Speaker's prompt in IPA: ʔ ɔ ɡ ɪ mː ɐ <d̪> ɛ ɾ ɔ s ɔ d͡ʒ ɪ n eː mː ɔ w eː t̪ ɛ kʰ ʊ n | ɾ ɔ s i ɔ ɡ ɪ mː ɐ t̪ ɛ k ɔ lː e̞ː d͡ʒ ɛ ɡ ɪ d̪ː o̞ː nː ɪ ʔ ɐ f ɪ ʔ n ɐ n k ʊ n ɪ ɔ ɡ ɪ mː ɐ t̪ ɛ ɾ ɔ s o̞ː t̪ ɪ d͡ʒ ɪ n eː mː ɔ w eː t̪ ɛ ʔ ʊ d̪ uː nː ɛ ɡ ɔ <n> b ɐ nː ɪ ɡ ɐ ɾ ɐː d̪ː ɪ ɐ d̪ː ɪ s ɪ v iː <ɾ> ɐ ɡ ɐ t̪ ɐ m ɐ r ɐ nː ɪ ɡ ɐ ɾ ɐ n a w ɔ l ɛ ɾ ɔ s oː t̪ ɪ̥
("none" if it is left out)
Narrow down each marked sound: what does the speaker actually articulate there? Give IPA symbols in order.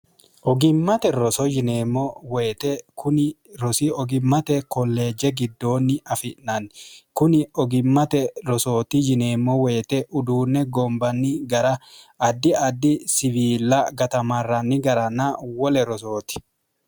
t̪, m, l

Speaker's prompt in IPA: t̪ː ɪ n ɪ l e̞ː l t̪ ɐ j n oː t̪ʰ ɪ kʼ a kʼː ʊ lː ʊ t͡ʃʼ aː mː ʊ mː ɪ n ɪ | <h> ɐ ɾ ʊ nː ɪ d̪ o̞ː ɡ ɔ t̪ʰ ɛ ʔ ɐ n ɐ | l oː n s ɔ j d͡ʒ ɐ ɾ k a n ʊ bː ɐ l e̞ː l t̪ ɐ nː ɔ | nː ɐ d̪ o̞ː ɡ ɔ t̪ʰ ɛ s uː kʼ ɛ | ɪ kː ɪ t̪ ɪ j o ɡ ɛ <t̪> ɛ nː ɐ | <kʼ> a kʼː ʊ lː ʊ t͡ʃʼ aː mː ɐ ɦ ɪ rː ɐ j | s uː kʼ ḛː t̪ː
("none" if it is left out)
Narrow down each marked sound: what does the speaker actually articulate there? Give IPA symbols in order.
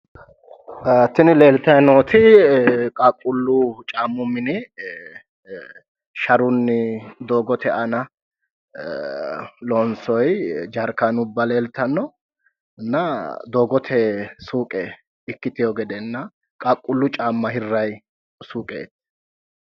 ʃ, d̪, kʼ

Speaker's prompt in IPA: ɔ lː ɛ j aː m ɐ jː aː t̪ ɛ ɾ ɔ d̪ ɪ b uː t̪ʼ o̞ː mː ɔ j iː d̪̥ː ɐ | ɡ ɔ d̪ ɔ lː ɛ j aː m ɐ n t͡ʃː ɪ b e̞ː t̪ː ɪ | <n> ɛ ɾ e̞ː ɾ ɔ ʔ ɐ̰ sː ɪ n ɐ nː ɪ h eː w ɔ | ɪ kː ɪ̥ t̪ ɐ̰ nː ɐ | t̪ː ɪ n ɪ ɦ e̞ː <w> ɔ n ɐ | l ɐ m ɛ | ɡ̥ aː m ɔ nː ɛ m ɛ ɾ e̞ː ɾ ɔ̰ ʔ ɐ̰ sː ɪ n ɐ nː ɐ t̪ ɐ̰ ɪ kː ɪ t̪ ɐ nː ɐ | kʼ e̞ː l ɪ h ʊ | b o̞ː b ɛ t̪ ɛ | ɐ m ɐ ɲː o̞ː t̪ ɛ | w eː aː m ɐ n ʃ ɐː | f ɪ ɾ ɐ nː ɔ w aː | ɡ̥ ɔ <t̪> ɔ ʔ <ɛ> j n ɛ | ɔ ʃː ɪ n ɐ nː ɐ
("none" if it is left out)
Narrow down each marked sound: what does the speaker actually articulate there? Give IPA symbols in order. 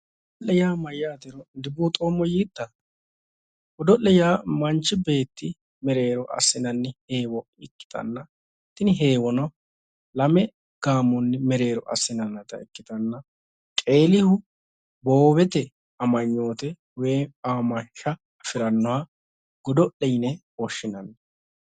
m, w, d̪, ɛ

